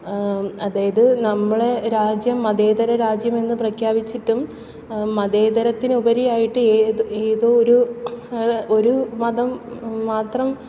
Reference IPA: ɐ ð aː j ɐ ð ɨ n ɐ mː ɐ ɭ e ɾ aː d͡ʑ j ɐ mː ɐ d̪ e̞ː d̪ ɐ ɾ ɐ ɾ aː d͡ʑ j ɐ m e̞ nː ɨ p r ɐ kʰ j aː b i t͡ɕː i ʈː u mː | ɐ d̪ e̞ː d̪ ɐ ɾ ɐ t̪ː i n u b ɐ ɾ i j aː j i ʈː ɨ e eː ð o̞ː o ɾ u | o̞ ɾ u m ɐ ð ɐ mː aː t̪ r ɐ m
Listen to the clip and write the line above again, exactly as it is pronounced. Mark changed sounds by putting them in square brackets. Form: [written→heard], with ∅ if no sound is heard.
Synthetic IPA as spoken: ɐ ð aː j ɐ ð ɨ n ɐ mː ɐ ɭ e ɾ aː d͡ʑ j ɐ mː ɐ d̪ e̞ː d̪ ɐ ɾ ɐ ɾ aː d͡ʑ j ɐ m e̞ nː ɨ p r ɐ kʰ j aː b i t͡ɕː i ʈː u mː | ɐ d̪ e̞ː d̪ ɐ ɾ ɐ t̪ː i n u b ɐ ɾ i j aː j i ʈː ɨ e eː ð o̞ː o ɾ u | o̞ ɾ u m ɐ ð ɐ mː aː t̪ r ɐ m